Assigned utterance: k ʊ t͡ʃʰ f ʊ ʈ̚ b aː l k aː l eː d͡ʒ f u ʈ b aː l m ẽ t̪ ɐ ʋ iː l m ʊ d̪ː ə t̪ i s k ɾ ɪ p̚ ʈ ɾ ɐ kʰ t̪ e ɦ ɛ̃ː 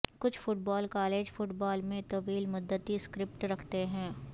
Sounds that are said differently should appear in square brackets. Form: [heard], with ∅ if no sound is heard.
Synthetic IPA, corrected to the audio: k ʊ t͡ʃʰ f ʊ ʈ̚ b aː l k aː l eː d͡ʒ f [ʊ] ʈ b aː l m ẽ t̪ ɐ ʋ iː l m ʊ d̪ː ə t̪ i s k ɾ ɪ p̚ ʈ ɾ ɐ kʰ t̪ e ɦ ɛ̃ː